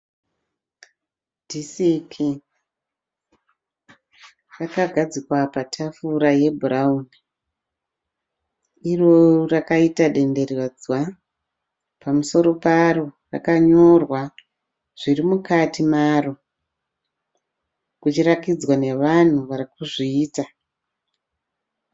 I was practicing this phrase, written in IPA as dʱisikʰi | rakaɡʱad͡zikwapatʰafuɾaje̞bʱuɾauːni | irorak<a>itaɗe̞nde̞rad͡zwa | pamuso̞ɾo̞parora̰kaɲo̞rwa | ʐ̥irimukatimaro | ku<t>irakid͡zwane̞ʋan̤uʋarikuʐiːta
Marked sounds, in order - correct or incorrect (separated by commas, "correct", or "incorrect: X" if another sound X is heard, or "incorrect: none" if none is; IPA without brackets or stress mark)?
correct, incorrect: t͡ʃ